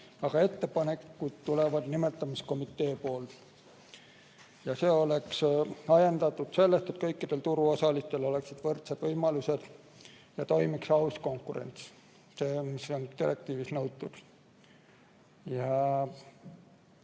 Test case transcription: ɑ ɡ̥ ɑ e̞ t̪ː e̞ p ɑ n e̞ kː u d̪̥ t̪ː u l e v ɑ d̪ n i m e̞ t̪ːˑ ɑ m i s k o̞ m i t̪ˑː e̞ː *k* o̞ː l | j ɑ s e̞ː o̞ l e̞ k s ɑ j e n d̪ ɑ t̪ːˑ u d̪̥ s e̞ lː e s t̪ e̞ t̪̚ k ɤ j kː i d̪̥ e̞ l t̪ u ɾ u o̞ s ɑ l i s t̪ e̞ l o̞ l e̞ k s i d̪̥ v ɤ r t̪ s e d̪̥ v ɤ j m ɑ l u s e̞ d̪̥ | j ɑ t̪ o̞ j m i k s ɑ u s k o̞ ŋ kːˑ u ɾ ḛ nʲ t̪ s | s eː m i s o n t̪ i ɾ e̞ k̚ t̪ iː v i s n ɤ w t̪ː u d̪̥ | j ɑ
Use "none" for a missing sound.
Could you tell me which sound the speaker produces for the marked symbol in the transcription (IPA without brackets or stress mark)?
p